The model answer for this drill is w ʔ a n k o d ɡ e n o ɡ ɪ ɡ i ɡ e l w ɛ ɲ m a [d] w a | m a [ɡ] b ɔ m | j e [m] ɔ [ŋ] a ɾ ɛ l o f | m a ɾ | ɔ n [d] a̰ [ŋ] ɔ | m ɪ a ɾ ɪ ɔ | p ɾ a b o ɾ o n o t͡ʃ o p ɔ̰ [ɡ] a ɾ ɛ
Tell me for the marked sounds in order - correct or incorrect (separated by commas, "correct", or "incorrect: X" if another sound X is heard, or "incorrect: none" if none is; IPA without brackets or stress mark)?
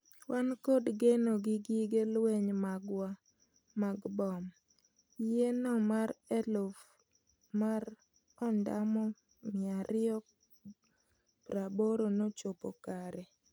incorrect: ɡ, correct, incorrect: n, incorrect: m, correct, incorrect: m, incorrect: k